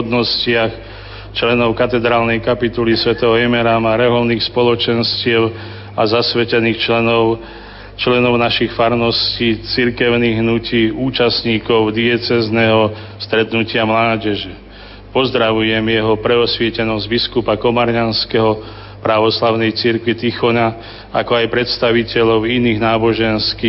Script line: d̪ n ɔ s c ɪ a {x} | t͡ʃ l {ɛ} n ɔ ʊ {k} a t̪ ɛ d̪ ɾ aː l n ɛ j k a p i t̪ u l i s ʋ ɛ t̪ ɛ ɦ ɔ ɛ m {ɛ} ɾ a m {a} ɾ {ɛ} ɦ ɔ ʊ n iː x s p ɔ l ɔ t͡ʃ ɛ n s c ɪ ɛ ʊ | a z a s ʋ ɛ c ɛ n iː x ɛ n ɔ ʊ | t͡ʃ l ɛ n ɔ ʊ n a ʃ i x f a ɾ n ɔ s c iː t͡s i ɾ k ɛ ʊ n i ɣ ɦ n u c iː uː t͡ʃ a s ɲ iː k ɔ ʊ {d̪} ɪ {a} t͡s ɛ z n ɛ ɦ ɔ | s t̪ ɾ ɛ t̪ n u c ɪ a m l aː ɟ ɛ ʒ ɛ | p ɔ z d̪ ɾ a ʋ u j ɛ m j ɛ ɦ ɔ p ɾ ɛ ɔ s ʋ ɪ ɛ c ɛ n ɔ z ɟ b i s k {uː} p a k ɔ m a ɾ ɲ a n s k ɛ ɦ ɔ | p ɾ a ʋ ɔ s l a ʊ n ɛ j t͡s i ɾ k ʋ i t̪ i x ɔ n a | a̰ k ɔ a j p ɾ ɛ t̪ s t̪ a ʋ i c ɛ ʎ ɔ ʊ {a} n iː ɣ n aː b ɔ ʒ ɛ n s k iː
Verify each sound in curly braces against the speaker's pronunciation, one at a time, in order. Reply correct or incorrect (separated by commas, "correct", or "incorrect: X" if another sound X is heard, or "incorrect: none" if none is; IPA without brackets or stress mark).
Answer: correct, correct, correct, correct, correct, correct, correct, incorrect: ɛ, incorrect: u, incorrect: i